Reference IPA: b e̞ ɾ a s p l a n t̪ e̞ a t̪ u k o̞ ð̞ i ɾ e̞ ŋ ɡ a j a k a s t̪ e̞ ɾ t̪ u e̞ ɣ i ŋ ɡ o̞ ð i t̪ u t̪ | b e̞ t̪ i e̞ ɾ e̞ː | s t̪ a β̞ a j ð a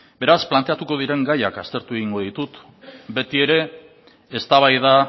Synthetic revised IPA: b e̞ ɾ a s p l a n t̪ e̞ a t̪ u k o̞ ð̞ i ɾ e̞ ŋ ɡ a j a k a s t̪ e̞ ɾ t̪ u e̞ ɣ i ŋ ɡ o̞ ð i t̪ u t̪ | b e̞ t̪ i e̞ ɾ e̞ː | s t̪ a β̞ a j ð a